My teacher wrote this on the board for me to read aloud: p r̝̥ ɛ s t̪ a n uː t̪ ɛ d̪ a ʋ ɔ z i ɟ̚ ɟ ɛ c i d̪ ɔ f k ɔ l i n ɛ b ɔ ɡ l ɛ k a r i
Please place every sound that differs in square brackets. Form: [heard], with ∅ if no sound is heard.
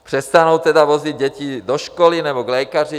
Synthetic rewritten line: p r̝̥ ɛ s t̪ a n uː t̪ ɛ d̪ a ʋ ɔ z i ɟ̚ ɟ ɛ c i d̪ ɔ [ʃ] k ɔ l i n ɛ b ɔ ɡ l ɛ k a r i